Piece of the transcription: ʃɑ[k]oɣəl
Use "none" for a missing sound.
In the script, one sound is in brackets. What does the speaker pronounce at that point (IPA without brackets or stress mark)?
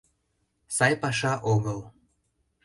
ʔ